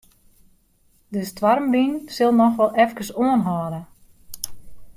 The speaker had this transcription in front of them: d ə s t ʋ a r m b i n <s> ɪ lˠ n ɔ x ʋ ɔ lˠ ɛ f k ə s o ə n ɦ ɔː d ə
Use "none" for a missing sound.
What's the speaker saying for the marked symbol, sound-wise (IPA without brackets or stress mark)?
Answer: s